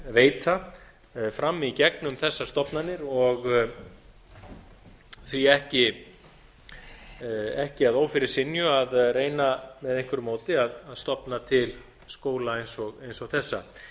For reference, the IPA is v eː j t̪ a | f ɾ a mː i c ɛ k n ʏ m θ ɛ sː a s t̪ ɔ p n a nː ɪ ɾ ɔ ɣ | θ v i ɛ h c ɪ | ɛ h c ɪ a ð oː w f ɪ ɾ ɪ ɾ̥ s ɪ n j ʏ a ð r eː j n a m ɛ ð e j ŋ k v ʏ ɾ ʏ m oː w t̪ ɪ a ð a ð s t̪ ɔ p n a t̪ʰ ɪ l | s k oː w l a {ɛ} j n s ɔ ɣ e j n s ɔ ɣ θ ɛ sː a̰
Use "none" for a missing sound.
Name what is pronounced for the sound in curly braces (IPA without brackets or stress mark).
e